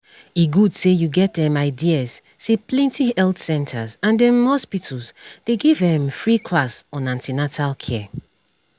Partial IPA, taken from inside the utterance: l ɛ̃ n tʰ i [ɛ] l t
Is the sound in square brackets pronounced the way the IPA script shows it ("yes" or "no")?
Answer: yes